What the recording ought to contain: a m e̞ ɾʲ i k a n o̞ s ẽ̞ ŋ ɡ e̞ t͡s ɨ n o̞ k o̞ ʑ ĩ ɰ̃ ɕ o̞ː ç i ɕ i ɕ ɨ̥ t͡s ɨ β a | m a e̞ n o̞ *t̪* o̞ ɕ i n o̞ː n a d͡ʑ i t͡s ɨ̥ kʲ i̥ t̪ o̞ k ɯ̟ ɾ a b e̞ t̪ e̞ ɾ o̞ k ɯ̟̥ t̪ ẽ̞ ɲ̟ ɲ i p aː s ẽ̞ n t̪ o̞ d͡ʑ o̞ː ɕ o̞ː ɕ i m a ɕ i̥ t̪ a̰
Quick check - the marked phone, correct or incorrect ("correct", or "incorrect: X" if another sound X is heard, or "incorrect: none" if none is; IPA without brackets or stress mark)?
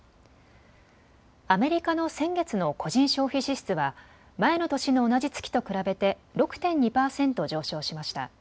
correct